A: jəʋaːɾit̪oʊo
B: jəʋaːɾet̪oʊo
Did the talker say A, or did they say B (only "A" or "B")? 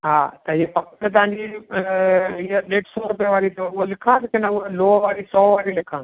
A